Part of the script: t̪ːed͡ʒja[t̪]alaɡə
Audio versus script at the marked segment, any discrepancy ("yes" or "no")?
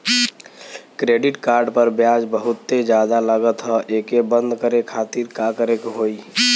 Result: yes